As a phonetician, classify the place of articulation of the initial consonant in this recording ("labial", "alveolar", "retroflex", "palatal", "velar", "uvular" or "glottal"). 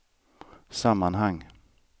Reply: alveolar